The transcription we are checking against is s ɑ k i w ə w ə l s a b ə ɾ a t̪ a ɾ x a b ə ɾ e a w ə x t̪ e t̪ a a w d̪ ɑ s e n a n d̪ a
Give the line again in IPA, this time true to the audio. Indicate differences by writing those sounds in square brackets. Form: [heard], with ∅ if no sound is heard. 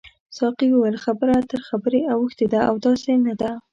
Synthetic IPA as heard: s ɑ [q] i w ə w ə l [x] a b ə ɾ a t̪ [ə] ɾ x a b ə ɾ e a w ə x t̪ e [d̪] a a w d̪ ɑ s e n a [∅] d̪ a